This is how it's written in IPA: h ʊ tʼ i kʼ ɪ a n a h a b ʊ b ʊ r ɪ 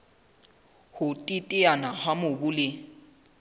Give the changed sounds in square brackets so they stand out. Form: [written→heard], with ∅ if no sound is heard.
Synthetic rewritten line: h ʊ tʼ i [kʼ→tʼ] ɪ a n a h a [b→m] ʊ b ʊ [r→l] ɪ